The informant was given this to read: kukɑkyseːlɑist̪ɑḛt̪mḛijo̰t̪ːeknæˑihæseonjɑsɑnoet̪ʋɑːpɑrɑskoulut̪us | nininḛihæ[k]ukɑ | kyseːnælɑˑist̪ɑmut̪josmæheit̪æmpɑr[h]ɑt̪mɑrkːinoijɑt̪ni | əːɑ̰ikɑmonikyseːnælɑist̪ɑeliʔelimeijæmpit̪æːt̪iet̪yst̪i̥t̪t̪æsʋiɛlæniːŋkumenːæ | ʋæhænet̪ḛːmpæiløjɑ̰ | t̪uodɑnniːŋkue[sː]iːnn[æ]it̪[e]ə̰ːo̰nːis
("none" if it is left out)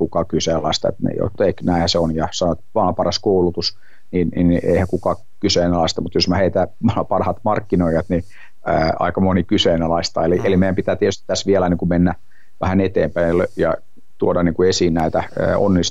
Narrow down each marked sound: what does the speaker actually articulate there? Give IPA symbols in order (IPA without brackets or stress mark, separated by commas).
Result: k, h, s, æ, æ